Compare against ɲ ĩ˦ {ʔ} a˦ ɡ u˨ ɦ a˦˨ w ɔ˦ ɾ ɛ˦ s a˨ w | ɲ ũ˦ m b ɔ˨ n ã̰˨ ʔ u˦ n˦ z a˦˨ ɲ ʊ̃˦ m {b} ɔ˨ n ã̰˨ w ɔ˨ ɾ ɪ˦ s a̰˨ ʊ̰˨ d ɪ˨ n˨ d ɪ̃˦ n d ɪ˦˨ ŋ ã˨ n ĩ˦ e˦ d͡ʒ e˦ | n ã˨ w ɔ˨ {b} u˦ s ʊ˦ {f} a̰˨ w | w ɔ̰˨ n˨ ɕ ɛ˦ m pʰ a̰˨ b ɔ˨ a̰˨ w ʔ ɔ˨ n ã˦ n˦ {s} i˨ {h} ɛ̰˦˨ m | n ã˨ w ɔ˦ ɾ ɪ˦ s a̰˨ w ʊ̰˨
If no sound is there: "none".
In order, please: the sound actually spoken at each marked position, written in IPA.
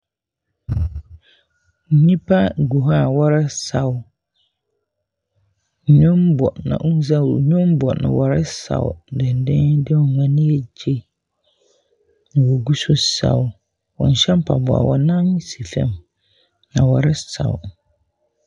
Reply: p, b, ɡ, s, s, f

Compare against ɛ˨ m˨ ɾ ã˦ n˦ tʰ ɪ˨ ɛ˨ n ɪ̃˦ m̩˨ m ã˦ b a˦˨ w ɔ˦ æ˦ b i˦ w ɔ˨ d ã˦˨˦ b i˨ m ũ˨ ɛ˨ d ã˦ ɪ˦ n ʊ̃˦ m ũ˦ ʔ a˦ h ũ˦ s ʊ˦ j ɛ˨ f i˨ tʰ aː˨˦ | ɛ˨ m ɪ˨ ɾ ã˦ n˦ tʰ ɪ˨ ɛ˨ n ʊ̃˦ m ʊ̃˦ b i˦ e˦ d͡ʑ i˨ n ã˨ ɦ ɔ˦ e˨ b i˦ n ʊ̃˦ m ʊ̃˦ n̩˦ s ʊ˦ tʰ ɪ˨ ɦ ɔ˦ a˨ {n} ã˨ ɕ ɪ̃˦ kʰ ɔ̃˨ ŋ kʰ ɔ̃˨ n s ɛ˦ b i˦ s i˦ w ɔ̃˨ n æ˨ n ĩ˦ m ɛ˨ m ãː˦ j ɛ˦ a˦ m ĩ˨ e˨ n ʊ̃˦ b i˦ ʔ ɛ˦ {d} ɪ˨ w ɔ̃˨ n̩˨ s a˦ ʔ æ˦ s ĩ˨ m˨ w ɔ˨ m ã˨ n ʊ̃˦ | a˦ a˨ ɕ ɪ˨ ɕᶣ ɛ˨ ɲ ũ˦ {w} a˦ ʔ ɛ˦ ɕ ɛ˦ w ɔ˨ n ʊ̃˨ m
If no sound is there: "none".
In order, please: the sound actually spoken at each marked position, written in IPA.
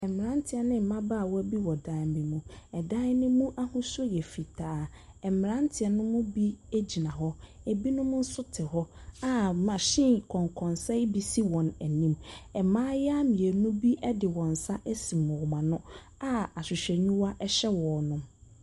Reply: m, d, w

